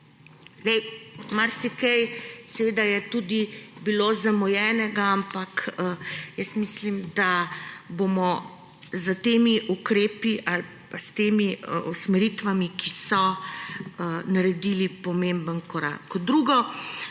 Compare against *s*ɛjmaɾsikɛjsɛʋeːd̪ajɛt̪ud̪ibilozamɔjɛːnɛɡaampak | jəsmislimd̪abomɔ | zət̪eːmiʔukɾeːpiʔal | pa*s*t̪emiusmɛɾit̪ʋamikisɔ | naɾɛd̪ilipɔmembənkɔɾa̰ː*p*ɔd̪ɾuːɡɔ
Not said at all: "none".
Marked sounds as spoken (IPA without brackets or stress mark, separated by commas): z, s, k